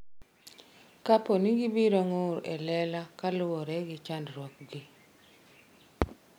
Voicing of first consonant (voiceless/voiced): voiceless